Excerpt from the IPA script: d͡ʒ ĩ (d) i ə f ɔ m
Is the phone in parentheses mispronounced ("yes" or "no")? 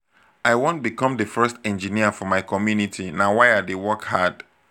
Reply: yes